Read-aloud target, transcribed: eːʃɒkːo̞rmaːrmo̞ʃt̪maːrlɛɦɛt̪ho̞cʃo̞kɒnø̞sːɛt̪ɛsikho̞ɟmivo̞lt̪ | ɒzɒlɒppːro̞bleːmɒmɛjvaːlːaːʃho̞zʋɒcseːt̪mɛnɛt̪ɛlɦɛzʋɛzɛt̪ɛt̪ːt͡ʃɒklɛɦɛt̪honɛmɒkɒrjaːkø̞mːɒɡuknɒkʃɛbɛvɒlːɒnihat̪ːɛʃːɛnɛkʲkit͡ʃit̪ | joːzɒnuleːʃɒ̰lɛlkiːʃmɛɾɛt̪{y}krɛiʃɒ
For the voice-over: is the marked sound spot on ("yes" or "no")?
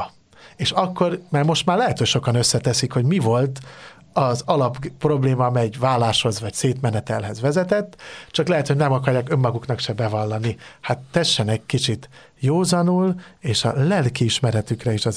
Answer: yes